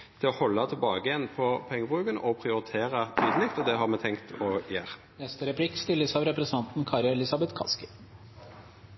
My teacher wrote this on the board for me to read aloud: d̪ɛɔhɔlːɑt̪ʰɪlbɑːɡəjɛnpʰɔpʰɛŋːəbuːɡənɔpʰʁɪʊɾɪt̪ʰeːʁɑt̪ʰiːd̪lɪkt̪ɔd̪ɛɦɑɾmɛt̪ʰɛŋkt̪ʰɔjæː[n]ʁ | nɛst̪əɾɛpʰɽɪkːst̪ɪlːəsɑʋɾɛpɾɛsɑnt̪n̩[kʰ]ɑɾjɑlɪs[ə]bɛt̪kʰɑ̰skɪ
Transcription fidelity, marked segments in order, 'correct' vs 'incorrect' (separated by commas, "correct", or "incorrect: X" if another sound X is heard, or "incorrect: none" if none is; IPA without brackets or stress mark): incorrect: none, correct, incorrect: ɑ